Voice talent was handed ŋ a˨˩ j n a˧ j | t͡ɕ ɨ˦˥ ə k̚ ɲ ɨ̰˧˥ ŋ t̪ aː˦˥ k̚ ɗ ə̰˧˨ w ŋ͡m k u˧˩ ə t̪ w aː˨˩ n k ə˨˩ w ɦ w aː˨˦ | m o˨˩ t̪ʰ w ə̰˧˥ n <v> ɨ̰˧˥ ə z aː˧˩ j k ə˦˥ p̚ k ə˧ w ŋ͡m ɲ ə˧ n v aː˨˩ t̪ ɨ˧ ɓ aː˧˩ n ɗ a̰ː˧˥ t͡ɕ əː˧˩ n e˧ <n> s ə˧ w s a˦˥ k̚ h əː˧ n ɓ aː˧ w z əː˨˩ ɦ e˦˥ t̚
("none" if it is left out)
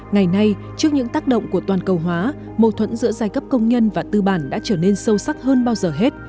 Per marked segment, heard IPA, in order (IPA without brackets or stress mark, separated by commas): z, n